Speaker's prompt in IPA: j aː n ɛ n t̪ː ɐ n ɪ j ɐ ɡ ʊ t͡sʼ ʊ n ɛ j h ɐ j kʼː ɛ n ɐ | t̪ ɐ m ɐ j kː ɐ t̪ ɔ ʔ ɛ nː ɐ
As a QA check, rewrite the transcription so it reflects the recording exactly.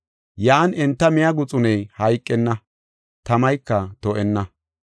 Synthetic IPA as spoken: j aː n ɛ n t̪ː ɐ m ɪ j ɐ ɡ ʊ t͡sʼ ʊ n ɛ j h ɐ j kʼː ɛ nː ɐ | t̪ ɐ m ɐ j kː ɐ t̪ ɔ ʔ ɛ nː ɐ